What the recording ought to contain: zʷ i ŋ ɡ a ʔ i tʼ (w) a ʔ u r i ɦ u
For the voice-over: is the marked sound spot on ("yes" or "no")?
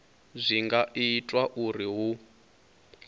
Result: yes